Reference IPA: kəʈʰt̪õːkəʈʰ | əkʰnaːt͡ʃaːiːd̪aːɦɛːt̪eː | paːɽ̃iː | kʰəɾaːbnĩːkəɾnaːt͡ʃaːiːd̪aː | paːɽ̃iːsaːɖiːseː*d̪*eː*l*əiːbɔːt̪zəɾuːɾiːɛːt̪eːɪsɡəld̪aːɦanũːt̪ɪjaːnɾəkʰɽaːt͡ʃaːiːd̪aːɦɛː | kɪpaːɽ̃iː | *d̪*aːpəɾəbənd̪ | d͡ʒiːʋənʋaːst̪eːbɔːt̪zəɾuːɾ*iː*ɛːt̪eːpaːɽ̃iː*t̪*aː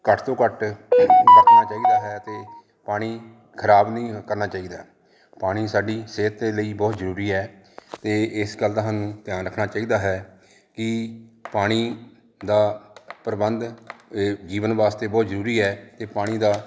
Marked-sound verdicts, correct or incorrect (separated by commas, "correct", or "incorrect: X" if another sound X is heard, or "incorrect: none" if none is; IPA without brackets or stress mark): incorrect: t̪, correct, correct, correct, incorrect: d̪